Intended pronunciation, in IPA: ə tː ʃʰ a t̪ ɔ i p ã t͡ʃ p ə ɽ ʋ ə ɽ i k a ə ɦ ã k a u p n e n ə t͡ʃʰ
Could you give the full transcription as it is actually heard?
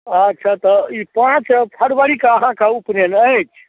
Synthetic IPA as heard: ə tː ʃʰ a t̪ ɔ i p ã t͡ʃ pʰ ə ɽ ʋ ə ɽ i k a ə ɦ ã k a u p n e n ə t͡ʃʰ